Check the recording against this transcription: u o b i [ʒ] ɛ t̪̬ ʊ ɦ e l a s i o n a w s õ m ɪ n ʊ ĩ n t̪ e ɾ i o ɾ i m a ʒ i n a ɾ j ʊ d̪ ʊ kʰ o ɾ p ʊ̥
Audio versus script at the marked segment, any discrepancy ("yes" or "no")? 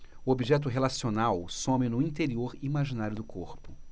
no